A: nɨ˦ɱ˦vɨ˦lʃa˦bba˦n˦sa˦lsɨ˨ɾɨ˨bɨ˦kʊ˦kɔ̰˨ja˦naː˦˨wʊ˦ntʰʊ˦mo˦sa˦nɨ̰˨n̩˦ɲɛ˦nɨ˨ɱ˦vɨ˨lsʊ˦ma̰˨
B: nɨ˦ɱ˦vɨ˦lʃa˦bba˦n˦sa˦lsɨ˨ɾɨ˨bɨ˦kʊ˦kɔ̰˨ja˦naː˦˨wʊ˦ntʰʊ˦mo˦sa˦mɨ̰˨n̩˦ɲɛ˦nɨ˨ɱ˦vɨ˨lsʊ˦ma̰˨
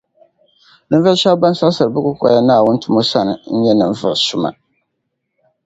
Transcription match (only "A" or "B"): A